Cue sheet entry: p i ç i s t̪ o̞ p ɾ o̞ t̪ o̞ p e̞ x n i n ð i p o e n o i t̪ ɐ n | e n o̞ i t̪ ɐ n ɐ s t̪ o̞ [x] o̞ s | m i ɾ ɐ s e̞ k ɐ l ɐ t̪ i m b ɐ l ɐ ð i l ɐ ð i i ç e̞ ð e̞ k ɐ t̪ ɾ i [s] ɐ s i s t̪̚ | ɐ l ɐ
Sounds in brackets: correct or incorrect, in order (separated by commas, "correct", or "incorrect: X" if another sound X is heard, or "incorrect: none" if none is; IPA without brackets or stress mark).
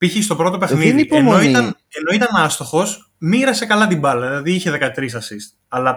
correct, correct